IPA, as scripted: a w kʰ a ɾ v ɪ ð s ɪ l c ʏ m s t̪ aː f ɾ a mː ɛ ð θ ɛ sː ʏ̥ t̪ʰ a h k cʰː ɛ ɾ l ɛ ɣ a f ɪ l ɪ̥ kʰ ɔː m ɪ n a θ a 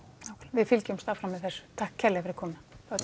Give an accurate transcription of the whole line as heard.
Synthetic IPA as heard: a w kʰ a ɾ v ɪ ð f ɪ l c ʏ m s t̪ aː f ɾ a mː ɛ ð θ ɛ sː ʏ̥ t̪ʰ a h k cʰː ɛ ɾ l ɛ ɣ a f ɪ ɾ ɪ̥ kʰ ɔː m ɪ n a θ a